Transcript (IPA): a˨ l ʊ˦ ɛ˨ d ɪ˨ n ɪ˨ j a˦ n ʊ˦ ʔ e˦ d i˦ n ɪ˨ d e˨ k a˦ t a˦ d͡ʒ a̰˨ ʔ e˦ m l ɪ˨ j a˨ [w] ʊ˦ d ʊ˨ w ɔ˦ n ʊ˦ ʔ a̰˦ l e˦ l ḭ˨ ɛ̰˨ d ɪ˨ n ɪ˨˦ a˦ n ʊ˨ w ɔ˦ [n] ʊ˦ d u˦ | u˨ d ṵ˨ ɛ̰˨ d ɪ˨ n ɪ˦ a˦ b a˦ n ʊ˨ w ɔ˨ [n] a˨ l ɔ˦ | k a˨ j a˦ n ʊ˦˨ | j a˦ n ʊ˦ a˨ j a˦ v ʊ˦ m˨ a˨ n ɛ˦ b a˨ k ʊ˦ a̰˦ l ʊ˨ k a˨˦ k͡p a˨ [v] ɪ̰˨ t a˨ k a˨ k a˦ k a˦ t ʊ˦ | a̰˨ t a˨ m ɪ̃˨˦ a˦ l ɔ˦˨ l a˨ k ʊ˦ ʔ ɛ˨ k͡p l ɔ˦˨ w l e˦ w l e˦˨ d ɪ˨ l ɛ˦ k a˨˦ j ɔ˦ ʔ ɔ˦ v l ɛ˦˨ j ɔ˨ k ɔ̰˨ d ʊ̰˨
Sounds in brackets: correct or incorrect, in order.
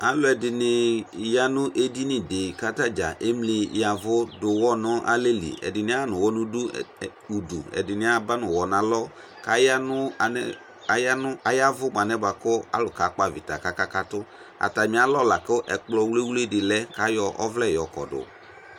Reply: incorrect, correct, correct, correct

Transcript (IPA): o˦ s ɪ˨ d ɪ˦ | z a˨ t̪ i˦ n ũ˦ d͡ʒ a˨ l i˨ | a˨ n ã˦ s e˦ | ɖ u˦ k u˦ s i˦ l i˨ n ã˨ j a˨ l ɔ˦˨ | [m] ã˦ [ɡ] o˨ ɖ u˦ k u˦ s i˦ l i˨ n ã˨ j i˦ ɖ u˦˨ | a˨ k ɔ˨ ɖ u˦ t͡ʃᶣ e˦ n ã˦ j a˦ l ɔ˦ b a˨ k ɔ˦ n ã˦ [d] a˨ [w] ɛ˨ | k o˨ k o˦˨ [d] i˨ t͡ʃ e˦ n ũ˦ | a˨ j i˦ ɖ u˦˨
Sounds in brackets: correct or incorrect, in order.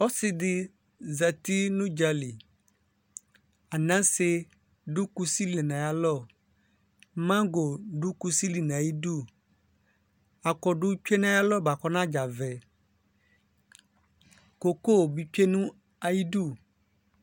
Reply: correct, correct, incorrect, incorrect, incorrect

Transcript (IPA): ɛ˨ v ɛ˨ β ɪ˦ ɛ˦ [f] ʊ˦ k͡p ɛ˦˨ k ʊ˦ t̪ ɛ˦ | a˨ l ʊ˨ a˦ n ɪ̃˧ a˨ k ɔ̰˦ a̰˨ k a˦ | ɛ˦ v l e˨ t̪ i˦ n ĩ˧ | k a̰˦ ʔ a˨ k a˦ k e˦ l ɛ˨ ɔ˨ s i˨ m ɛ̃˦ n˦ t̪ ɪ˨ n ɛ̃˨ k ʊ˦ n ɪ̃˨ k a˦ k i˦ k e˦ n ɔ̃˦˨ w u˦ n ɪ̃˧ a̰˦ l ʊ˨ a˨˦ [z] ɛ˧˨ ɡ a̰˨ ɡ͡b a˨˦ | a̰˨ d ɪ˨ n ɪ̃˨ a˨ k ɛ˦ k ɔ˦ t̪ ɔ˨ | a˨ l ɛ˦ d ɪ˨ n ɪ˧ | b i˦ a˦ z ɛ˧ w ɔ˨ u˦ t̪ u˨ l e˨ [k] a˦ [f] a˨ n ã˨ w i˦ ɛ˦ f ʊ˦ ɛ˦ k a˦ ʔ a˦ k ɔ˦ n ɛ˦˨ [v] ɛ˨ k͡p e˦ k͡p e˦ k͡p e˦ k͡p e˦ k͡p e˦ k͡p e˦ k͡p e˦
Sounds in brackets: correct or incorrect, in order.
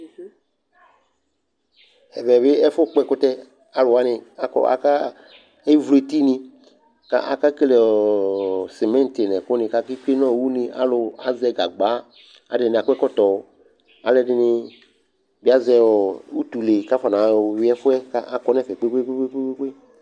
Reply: correct, correct, correct, correct, incorrect

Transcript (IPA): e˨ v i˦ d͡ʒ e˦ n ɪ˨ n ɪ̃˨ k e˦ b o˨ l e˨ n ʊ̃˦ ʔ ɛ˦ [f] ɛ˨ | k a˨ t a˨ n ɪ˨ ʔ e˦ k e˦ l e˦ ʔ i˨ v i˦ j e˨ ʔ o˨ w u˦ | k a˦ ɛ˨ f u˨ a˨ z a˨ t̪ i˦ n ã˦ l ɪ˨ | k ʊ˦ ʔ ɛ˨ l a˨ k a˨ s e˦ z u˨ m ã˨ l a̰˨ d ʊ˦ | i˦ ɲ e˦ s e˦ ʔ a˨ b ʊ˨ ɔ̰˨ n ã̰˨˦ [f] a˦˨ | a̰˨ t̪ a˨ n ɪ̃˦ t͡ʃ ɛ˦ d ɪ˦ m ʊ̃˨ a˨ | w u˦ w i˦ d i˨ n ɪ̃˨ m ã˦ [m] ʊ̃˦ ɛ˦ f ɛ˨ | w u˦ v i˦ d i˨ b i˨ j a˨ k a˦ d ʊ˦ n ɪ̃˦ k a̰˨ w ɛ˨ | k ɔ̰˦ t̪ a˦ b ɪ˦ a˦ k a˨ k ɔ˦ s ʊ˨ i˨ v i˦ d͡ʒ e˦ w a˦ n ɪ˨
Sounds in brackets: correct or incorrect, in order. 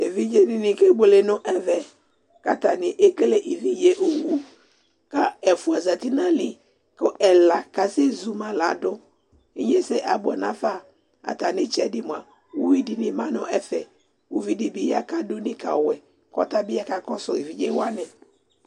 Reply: incorrect, correct, incorrect

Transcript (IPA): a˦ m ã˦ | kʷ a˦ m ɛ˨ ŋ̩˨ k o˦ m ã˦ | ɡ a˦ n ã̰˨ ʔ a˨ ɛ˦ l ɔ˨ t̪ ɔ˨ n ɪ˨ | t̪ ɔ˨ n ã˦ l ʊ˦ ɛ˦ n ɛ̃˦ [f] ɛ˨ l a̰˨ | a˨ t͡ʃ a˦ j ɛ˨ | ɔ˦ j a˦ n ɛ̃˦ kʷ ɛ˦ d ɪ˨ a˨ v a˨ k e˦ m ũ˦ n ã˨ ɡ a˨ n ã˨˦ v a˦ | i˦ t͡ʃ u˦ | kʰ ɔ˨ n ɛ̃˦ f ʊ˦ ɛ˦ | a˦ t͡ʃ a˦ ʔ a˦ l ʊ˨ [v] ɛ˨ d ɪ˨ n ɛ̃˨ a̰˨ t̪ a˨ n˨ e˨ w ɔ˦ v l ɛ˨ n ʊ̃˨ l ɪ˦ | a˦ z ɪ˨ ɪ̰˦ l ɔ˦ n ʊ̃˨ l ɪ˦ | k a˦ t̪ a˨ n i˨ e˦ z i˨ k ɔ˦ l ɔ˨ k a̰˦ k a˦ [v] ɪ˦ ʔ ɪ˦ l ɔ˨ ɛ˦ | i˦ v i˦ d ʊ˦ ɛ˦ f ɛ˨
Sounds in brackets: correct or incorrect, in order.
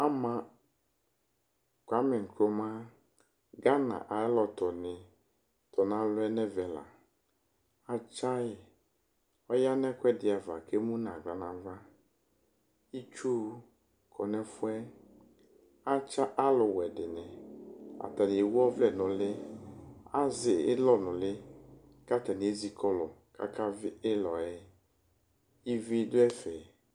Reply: incorrect, incorrect, correct

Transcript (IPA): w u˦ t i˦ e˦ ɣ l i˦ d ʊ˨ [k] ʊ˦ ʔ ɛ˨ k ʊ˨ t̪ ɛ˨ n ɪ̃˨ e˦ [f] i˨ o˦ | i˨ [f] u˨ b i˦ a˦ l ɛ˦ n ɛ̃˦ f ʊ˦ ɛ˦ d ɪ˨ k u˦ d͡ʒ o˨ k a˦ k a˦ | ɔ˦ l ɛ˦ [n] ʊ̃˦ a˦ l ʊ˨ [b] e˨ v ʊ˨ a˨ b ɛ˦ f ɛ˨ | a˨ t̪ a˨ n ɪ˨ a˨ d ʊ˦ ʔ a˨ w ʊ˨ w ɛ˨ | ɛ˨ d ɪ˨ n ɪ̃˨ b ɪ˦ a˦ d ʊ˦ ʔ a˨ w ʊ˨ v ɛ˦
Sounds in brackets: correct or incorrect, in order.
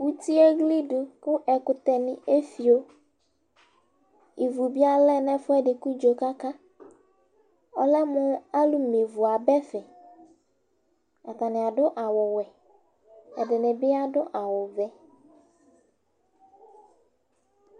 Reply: correct, correct, incorrect, incorrect, incorrect

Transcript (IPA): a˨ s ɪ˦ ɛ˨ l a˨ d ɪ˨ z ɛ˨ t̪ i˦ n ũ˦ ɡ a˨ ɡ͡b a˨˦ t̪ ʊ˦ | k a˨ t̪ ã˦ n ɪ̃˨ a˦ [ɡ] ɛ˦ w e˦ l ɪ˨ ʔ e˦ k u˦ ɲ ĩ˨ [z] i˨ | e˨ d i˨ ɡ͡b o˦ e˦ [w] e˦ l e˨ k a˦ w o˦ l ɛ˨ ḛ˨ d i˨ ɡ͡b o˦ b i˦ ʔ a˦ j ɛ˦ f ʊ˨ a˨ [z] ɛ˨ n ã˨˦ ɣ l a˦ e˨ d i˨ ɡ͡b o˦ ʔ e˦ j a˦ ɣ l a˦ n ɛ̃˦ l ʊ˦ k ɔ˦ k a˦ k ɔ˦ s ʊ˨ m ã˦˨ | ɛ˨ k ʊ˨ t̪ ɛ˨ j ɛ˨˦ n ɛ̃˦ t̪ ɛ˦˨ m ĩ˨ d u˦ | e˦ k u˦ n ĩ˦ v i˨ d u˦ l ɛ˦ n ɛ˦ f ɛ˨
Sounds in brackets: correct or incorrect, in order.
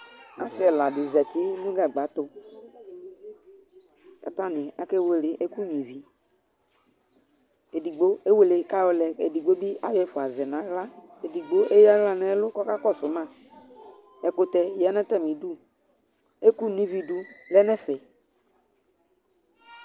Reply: incorrect, incorrect, correct, correct

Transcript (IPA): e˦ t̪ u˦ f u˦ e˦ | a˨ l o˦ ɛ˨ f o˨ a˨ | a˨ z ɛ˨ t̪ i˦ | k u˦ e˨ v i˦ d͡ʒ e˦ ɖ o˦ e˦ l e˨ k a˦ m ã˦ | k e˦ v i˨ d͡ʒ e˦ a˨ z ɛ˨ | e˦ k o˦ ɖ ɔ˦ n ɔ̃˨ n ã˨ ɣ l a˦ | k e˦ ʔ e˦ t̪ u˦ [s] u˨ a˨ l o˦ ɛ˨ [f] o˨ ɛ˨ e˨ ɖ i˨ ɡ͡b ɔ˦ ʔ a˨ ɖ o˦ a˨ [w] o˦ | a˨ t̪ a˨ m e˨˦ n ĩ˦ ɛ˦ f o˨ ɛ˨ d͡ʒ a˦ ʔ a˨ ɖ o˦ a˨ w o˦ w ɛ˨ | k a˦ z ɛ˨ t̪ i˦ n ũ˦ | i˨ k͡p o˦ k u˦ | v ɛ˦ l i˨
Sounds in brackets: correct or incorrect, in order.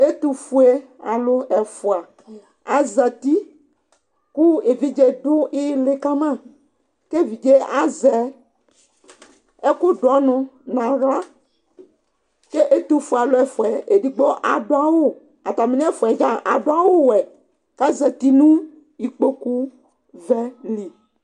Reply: incorrect, correct, correct

